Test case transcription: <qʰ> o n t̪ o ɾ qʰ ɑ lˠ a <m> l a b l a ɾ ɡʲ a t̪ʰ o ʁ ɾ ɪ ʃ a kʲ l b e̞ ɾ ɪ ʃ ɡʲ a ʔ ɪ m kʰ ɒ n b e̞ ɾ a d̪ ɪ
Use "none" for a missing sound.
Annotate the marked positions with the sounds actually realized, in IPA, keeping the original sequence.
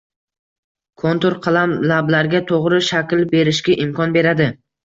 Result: kʰ, m

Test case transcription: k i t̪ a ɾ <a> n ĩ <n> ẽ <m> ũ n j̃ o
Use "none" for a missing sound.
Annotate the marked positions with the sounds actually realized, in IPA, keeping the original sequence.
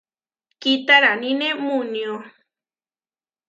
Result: a, n, m

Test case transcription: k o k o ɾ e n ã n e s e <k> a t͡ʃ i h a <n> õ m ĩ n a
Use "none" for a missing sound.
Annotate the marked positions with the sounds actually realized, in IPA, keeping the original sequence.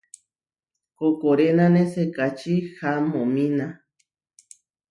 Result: k, m

